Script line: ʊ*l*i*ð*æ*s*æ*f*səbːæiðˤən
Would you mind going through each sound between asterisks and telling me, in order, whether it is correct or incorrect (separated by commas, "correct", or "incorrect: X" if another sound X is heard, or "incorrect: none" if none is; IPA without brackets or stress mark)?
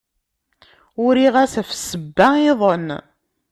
incorrect: ɾ, incorrect: ʁ, correct, correct